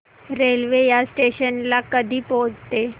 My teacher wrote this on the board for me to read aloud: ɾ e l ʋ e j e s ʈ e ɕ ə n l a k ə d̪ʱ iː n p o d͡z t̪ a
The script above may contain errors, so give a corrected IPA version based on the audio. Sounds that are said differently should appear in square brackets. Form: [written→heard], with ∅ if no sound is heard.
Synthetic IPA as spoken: ɾ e l ʋ e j [e→a] s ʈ e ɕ ə n l a k ə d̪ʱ iː [n→∅] p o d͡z t̪ [a→e]